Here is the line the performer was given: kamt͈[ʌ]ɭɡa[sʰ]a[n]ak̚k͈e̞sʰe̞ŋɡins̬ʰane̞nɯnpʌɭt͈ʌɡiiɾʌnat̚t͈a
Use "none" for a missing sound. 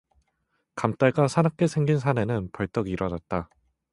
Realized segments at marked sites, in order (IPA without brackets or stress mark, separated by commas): a, sʰ, n